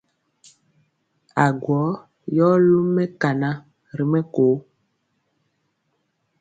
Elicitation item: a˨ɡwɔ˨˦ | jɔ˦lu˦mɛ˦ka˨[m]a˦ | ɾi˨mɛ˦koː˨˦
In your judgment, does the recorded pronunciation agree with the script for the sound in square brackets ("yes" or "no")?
no